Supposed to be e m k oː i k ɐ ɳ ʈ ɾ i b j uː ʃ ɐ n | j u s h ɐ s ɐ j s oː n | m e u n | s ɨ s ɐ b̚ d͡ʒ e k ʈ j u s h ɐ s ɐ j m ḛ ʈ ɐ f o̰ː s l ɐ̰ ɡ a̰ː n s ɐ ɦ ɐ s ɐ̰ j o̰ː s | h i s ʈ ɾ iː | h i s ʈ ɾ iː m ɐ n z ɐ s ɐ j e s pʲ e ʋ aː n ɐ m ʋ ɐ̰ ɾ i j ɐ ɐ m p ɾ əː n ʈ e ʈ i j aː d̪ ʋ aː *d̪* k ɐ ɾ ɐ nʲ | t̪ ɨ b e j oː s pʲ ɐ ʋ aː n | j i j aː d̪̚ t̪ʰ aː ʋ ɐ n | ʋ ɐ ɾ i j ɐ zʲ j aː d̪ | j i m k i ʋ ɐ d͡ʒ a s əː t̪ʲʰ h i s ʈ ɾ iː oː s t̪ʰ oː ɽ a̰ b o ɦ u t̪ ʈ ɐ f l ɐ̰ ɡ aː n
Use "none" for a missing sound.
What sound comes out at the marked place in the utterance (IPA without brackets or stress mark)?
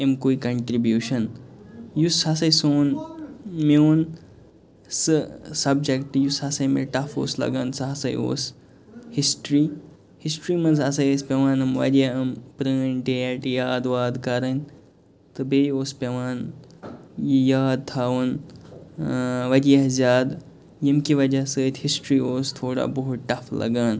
d̪